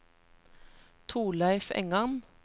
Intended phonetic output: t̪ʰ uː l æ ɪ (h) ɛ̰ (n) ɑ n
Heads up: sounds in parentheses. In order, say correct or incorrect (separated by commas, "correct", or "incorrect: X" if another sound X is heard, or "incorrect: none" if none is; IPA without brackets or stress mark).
incorrect: f, incorrect: ŋ